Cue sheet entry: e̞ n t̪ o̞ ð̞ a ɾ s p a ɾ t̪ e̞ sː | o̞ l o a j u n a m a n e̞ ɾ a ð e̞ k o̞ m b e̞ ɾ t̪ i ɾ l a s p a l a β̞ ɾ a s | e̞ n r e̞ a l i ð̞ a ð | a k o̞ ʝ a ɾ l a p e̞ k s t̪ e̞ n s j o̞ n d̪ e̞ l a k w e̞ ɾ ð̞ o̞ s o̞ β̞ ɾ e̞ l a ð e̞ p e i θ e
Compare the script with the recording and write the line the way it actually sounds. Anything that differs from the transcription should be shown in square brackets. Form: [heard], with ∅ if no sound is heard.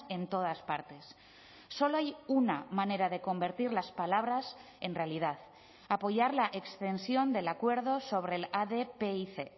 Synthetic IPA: e̞ n t̪ o̞ ð̞ a [∅] s p a ɾ t̪ e̞ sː | o̞ l o a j u n a m a n e̞ ɾ a ð e̞ k o̞ m b e̞ ɾ t̪ i ɾ l a s p a l a β̞ ɾ a s | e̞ n r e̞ a l i ð̞ a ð | a [p] o̞ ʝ a ɾ l a [ʔ] e̞ k s t̪ e̞ n s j o̞ n d̪ e̞ l a k w e̞ ɾ ð̞ o̞ s o̞ β̞ ɾ e̞ l a ð e̞ p e i θ e